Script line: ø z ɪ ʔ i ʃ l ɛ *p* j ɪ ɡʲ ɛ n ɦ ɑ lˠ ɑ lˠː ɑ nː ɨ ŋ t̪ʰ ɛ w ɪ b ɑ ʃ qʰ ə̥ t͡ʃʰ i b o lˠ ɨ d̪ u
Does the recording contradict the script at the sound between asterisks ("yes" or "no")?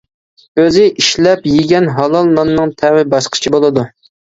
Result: no